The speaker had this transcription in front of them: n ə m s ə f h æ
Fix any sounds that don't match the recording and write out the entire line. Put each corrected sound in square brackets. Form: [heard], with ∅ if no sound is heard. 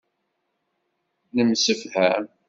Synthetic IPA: n ə m s ə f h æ